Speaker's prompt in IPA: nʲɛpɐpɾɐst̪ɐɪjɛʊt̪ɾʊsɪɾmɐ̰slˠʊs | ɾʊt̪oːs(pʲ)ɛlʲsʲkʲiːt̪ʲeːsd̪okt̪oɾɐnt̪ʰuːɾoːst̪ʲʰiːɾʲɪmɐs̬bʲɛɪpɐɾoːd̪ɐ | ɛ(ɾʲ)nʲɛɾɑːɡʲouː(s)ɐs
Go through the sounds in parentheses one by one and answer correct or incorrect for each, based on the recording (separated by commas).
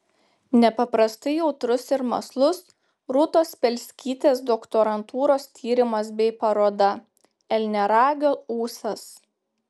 correct, incorrect, correct